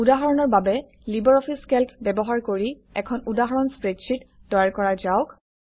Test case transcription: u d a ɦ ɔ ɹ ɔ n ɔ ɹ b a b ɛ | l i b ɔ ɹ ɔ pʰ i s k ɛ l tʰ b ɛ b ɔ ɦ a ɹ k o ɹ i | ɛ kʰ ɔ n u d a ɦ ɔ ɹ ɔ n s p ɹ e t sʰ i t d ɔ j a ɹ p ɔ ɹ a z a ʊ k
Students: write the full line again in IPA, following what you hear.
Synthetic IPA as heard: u d a ɦ ɔ ɹ ɔ n ɔ ɹ b a b ɛ | l i b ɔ ɹ ɔ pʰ i s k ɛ l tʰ b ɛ b ɔ ɦ a ɹ k o ɹ i | ɛ kʰ ɔ n u d a ɦ ɔ ɹ ɔ n s p ɹ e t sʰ i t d ɔ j a ɹ k ɔ ɹ a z a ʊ k

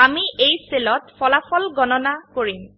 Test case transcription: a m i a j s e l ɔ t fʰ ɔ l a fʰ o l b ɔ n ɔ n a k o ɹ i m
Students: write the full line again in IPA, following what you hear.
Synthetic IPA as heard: a m i e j s e l ɔ t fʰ ɔ l a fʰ ɔ l ɡ ɔ n ɔ n a k o ɹ i m

